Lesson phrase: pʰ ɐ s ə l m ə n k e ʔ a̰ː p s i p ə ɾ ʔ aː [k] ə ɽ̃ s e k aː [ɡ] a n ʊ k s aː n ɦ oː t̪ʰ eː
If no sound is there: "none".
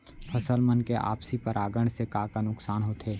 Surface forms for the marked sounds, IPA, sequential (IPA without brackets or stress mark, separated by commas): ɡ, k